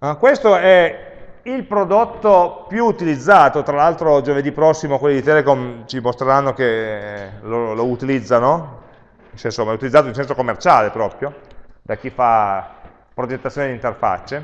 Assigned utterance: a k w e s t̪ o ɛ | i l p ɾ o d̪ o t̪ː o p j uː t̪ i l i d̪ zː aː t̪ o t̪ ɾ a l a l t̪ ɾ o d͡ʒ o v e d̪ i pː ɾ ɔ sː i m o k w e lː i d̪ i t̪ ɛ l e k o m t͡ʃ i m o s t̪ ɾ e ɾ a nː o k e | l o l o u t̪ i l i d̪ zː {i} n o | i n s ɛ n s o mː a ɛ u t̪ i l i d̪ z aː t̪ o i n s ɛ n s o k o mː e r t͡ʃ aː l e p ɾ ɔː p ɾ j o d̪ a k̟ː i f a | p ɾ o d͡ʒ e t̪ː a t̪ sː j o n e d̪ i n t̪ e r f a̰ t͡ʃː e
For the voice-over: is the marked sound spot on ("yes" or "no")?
no